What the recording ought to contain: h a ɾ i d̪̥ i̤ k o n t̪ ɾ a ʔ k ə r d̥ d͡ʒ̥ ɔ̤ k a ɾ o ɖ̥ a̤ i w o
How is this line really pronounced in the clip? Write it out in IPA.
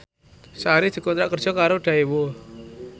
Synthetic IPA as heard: s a ɾ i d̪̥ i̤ k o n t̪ ɾ a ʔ k ə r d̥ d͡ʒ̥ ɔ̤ k a ɾ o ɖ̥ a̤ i w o